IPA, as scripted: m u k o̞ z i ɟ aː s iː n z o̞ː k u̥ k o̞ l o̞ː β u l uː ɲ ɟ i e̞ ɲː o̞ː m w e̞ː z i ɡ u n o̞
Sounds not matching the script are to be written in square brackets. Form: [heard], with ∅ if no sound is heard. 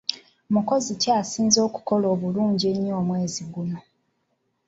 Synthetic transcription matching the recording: m u k o̞ z i [c] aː s iː n z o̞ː k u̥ k o̞ l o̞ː β u l uː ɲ ɟ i e̞ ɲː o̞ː m w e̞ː z i ɡ u n o̞